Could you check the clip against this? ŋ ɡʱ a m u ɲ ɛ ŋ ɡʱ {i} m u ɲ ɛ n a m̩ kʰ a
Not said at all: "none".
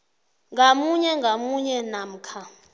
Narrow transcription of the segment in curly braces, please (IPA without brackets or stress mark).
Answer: a